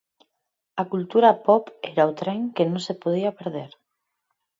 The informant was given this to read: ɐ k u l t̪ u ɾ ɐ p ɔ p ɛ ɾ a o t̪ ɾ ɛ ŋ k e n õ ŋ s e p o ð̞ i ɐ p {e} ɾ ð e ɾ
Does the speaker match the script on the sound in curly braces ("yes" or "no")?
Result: yes